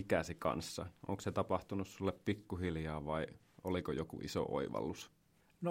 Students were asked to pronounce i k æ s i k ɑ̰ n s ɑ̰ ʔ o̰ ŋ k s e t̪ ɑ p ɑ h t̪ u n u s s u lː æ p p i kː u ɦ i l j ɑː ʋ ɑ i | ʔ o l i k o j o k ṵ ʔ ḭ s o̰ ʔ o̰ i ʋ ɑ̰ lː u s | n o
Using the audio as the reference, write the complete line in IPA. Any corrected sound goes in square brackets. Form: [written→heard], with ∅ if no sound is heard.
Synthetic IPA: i k æ s i k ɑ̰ n [s→sː] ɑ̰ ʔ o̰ ŋ k s e t̪ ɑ p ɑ h t̪ u n u s s u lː [æ→e] p p i kː u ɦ i l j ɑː ʋ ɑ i | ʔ o l i k o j o k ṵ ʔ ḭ s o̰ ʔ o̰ i ʋ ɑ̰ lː u s | n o